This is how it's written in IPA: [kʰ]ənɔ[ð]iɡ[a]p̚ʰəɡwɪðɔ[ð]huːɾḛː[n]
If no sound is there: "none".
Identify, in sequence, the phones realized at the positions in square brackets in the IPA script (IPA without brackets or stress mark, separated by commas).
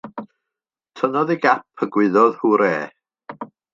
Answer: tʰ, ð, a, ð, none